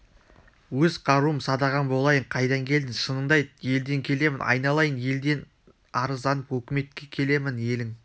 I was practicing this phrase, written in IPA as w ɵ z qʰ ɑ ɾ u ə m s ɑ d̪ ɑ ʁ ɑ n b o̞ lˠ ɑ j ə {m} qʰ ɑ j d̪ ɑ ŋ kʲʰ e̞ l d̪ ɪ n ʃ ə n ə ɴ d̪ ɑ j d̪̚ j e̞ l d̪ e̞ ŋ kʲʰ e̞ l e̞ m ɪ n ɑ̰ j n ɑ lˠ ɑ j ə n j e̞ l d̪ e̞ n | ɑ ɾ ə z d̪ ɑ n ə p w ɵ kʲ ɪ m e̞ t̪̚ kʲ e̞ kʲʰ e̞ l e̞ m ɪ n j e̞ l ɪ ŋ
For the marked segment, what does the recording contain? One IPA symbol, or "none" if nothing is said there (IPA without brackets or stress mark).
ɴ